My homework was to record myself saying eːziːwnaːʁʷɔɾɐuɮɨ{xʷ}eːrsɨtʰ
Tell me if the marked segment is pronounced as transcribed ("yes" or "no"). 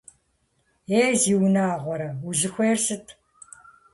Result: yes